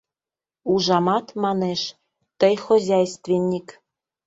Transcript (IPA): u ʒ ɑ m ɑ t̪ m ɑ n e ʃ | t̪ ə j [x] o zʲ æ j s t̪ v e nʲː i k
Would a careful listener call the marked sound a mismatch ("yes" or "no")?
no